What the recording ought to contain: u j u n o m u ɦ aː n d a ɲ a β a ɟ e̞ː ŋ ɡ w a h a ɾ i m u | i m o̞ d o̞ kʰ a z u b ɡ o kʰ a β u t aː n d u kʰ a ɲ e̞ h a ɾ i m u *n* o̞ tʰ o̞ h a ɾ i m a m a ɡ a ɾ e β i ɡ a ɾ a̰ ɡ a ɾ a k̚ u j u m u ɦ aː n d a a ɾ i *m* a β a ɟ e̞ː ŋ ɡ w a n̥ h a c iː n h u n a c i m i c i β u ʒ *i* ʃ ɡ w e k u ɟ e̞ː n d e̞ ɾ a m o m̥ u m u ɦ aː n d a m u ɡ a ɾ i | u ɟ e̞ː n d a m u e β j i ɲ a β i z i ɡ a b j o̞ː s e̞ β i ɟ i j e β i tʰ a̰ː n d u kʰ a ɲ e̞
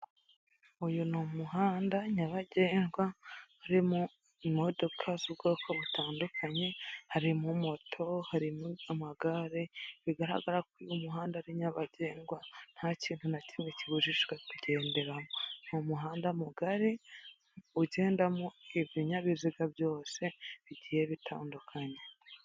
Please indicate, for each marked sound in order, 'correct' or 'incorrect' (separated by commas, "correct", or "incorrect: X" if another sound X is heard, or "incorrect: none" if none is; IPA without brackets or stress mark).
incorrect: m, incorrect: ɲ, correct